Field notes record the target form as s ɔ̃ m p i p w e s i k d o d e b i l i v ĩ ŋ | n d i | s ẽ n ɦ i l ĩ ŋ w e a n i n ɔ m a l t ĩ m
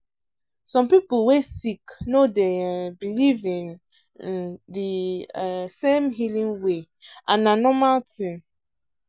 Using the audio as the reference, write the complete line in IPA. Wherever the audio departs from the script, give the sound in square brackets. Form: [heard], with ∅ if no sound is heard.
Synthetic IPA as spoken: s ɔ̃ m p i p w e s i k [n] o d e b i l i v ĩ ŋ | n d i | s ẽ [m] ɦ i l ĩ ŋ w e a n [a] n ɔ m a l t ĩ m